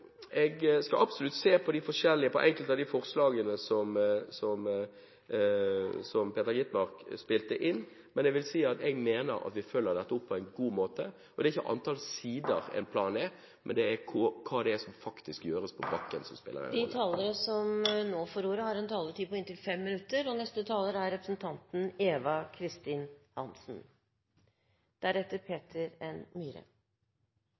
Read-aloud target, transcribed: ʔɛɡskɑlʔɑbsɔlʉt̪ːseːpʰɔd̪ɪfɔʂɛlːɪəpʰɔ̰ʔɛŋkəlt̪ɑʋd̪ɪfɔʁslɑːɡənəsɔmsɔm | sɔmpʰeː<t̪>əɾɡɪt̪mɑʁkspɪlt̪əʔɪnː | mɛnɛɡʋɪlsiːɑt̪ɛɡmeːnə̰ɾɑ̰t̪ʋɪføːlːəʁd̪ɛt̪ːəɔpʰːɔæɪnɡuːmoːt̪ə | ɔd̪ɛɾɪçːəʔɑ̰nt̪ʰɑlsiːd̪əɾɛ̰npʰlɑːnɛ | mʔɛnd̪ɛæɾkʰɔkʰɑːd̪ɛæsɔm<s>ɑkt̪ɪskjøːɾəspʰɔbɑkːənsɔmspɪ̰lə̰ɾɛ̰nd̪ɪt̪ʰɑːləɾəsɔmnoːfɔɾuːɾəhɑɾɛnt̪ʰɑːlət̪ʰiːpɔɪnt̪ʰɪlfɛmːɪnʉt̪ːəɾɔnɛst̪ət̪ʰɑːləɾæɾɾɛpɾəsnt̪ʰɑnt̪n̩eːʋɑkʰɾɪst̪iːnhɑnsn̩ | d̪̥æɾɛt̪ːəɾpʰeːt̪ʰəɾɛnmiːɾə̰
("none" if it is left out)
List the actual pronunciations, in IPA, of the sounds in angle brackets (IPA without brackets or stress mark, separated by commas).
t̪, f